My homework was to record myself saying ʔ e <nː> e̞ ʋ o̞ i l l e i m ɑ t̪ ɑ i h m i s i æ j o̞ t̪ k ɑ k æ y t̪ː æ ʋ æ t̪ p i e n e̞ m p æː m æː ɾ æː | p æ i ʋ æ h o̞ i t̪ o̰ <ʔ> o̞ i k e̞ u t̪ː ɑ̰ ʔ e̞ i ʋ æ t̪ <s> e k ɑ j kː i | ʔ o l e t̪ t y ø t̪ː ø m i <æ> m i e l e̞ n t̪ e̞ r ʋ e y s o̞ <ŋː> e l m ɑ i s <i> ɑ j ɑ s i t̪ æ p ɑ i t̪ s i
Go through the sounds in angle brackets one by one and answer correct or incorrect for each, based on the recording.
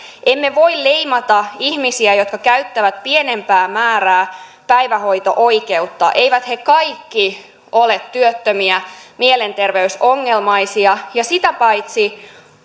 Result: incorrect: mː, correct, incorrect: h, correct, correct, correct

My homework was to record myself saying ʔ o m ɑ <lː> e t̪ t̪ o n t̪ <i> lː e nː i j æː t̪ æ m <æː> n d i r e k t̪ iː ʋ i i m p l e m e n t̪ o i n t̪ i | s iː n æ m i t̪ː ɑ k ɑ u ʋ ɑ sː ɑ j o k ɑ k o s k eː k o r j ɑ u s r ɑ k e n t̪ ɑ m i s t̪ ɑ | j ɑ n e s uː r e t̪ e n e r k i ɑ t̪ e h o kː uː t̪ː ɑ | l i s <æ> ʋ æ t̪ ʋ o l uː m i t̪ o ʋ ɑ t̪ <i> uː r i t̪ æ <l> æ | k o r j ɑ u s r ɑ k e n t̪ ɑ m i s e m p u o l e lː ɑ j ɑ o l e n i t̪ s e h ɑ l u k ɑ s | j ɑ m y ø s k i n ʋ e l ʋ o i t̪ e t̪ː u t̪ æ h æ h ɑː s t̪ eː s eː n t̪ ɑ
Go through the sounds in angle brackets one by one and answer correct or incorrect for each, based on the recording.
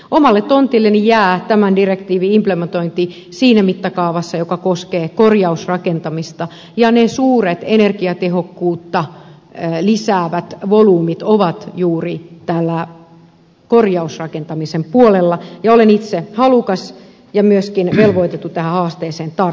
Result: correct, correct, incorrect: æ, incorrect: æː, incorrect: j, incorrect: lː

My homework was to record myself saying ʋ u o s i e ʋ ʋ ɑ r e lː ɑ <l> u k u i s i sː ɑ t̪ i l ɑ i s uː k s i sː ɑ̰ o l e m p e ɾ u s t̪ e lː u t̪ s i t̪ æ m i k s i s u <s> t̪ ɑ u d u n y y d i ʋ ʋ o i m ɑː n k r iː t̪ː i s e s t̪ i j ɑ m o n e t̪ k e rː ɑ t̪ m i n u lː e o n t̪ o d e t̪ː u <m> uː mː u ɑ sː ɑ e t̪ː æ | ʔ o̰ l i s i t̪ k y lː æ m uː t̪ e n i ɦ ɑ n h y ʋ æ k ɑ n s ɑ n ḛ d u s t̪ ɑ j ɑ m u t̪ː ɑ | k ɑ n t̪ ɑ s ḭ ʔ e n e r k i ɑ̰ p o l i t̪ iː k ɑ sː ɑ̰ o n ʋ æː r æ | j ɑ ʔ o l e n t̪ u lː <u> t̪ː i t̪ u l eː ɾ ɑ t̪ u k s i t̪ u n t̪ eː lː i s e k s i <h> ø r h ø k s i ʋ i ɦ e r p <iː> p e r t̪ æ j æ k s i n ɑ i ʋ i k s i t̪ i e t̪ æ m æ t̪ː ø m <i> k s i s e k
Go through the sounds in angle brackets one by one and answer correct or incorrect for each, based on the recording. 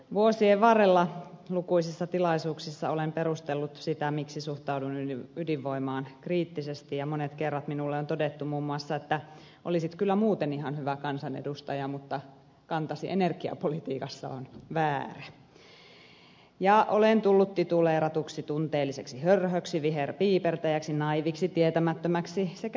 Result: correct, incorrect: h, correct, correct, correct, correct, incorrect: æ

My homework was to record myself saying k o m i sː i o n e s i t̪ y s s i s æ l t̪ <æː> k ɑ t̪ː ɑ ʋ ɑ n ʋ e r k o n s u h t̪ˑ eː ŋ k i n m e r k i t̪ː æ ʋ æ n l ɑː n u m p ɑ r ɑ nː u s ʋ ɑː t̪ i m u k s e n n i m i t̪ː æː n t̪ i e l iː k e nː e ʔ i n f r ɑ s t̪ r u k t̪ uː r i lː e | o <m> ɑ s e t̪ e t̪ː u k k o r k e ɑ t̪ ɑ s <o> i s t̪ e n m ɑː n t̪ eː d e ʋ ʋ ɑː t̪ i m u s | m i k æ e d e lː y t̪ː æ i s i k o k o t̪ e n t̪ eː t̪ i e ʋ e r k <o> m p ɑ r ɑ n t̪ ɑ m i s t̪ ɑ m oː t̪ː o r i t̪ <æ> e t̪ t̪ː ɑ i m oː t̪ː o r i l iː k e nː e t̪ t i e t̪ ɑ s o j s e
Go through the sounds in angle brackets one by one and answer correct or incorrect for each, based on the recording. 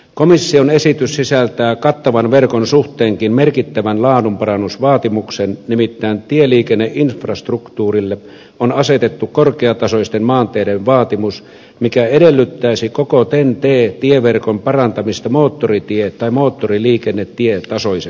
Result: correct, incorrect: n, correct, correct, incorrect: i

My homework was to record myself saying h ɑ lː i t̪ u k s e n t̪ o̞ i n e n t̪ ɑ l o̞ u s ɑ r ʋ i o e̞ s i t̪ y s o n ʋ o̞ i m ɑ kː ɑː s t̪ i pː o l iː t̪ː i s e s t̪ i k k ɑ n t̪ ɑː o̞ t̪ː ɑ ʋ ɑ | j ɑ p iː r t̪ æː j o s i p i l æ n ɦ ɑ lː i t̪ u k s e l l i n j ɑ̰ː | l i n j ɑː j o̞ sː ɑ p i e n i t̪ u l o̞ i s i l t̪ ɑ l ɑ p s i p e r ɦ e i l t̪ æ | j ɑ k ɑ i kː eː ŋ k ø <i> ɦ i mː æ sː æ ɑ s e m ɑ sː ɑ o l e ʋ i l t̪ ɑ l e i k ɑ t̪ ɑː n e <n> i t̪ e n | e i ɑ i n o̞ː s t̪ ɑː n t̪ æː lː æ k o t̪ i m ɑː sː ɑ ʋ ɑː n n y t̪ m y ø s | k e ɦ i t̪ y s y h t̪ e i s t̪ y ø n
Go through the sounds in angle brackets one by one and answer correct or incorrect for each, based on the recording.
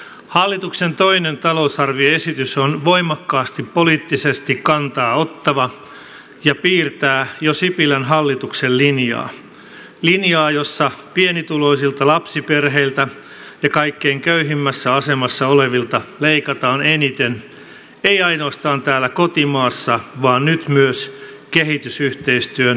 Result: incorrect: y, correct

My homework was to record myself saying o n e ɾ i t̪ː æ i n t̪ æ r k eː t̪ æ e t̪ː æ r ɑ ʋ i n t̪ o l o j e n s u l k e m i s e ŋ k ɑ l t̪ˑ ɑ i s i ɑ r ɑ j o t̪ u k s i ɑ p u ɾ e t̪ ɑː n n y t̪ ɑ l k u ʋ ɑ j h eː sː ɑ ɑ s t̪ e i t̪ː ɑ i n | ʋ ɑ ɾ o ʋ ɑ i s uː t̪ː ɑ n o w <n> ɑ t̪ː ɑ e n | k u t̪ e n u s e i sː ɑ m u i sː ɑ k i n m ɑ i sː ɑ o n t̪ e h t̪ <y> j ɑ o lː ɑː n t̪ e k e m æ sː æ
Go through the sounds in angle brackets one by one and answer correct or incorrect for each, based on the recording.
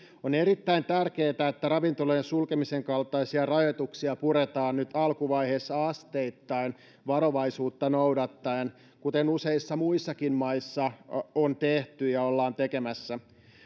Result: incorrect: d, correct

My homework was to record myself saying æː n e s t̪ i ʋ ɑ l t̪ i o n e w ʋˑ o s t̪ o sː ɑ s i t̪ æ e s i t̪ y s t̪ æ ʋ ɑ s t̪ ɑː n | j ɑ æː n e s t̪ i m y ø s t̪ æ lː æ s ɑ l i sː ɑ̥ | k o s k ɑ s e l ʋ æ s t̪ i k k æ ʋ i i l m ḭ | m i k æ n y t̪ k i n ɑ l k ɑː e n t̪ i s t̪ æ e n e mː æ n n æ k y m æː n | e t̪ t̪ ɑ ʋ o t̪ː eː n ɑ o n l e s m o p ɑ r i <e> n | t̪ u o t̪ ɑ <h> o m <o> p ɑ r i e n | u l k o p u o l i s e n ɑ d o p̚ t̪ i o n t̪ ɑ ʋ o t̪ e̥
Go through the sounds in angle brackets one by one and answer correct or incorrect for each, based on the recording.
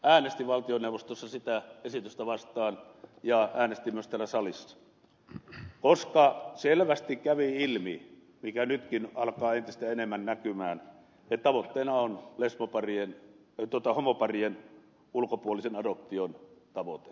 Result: correct, correct, correct

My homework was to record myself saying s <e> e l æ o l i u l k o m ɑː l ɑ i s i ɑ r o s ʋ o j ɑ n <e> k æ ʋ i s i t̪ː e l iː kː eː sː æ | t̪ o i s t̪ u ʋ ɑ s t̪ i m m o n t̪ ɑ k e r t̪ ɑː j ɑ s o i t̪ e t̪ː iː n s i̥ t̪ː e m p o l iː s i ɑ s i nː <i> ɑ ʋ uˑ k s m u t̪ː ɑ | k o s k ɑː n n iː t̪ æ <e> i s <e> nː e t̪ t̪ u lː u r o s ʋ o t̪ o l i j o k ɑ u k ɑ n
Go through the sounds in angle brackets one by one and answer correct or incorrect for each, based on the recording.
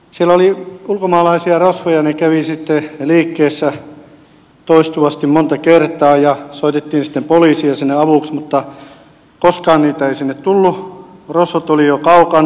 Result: incorrect: i, correct, incorrect: e, correct, incorrect: i

